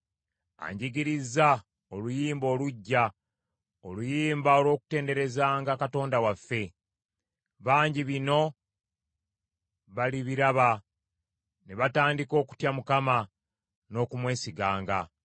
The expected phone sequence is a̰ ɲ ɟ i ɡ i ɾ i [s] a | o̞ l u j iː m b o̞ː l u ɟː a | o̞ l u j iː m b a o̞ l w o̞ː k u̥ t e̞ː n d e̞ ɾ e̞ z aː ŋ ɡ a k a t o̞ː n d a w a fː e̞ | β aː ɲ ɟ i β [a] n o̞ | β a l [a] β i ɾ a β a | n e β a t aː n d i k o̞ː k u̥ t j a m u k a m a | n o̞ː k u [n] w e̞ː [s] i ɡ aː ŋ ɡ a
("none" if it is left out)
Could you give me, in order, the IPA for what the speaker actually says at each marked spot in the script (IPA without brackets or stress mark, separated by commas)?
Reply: z, i, i, m, s